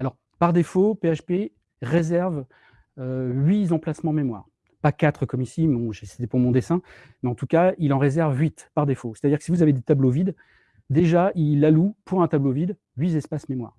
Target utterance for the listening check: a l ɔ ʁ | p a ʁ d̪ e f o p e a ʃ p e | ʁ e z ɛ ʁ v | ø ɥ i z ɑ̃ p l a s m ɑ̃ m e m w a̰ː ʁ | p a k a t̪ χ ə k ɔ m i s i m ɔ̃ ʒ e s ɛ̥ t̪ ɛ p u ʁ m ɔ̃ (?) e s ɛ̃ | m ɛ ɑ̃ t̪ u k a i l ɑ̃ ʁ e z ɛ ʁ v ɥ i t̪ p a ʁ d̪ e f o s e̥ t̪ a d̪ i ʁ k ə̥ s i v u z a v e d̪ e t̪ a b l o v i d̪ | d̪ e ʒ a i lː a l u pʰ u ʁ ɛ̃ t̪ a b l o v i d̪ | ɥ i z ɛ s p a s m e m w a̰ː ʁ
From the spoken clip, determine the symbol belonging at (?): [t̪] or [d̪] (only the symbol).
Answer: d̪